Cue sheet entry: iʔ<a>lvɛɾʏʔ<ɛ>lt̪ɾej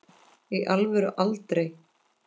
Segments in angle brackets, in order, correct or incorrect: correct, incorrect

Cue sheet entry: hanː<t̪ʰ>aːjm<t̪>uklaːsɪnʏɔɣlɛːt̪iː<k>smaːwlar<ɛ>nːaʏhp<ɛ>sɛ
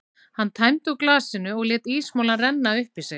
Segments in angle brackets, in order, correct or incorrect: correct, correct, incorrect, correct, incorrect

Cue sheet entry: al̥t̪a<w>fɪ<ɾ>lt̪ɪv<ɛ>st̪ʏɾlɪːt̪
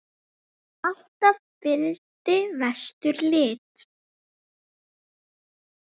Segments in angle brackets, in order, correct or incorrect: incorrect, incorrect, correct

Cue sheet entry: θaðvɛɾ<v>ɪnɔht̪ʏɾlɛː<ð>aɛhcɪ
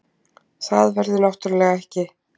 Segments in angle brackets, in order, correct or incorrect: incorrect, incorrect

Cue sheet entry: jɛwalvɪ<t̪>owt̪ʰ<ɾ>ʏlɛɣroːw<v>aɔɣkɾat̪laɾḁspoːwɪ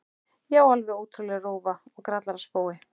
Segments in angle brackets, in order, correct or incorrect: incorrect, correct, correct

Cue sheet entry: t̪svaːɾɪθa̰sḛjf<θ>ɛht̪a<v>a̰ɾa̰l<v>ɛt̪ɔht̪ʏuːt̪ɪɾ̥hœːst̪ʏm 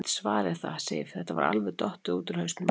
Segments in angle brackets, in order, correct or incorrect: correct, correct, correct

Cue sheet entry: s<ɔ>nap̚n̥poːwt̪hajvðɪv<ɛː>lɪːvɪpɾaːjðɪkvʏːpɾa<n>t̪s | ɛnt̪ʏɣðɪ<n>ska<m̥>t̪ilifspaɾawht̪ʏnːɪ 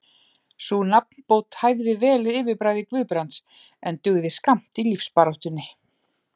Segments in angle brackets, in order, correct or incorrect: incorrect, correct, correct, incorrect, correct

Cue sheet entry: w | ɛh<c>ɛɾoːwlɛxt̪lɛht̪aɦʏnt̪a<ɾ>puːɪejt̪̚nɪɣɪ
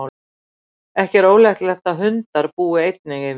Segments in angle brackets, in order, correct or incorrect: correct, correct

